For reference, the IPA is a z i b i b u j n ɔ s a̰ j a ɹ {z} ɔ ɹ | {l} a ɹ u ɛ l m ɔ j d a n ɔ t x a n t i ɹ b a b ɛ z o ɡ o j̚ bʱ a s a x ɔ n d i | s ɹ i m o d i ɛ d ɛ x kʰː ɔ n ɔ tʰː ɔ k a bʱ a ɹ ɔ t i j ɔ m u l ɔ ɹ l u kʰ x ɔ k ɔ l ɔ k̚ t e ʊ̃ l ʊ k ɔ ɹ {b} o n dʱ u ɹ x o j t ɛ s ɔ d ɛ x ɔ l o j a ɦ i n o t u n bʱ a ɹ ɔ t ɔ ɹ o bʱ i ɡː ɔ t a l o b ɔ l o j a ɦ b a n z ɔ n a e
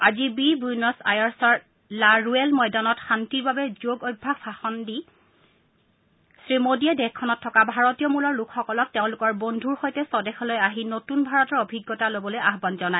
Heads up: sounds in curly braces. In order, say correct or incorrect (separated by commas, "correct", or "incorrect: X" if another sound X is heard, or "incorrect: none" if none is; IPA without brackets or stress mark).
incorrect: s, correct, correct